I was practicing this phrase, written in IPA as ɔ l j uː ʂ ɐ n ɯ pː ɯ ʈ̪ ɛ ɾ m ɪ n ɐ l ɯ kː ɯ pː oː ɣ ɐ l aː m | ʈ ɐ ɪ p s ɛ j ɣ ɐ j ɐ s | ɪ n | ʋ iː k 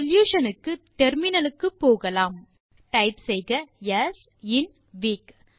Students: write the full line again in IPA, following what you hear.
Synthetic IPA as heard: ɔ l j uː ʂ ɐ n ɯ kː ɯ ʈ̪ ɛ ɾ m ɪ n ɐ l ɯ kː ɯ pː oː ɣ ɐ l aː m | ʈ ɐ ɪ p s ɛ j ɣ ɐ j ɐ s | ɪ n | ʋ iː k